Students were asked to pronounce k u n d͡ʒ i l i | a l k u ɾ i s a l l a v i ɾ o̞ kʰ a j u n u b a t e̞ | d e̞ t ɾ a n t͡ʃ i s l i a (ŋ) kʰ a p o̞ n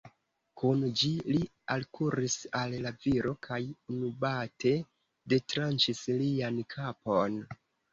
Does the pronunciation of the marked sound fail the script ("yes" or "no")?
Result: yes